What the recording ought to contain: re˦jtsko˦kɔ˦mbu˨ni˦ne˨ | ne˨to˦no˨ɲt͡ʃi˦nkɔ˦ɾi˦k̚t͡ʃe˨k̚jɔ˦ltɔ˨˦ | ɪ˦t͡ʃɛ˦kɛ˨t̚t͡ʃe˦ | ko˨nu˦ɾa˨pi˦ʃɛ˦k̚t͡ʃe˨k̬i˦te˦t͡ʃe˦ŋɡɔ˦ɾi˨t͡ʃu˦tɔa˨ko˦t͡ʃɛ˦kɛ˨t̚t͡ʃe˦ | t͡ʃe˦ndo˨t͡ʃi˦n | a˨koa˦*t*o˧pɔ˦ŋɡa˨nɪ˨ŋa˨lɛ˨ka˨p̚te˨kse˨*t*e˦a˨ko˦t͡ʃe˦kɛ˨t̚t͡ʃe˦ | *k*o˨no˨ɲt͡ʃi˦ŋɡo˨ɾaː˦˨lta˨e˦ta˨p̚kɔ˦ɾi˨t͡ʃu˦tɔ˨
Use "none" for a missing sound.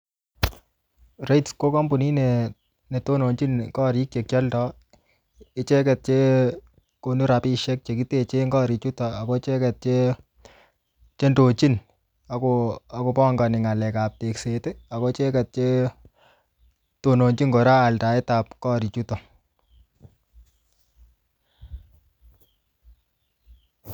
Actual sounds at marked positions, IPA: k, t, t

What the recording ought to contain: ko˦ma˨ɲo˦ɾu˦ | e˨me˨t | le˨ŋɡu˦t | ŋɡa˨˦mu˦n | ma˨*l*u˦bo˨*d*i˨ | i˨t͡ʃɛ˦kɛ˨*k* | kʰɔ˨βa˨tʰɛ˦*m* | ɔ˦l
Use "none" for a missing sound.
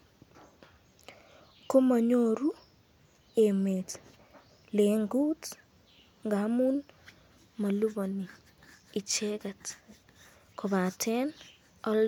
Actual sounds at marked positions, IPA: l, n, t, n

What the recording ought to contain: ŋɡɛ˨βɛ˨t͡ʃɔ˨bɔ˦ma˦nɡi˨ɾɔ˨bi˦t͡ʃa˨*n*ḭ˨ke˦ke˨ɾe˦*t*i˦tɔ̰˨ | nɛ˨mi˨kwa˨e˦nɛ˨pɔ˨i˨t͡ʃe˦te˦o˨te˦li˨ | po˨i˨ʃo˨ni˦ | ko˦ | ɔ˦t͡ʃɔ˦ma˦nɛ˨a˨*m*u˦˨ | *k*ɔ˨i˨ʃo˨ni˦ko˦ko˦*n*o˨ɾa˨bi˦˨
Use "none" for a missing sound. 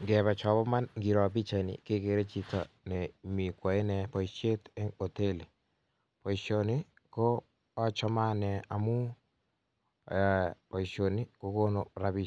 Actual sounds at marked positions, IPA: n, t͡ʃ, m, p, n

